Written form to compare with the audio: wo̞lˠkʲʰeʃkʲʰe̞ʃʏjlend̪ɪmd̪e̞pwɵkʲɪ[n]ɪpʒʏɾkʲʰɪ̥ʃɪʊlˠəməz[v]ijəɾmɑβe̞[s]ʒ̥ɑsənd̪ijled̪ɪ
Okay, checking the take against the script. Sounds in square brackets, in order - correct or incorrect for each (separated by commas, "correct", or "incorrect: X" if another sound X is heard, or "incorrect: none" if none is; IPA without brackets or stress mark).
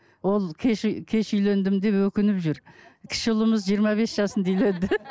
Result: correct, incorrect: ʒ, correct